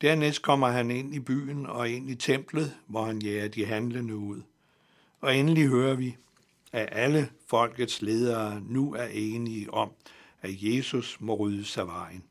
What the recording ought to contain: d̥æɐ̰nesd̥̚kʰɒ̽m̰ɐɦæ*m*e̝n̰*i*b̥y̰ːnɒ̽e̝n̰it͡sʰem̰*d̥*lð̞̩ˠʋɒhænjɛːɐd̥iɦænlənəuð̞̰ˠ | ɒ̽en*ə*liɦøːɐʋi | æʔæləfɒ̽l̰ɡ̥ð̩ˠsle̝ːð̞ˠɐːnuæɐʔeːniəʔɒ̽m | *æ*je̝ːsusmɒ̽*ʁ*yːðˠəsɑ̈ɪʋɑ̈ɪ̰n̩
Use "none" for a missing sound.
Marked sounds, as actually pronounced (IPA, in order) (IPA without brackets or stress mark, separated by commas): n, i, b̥, ə, æ, ʁ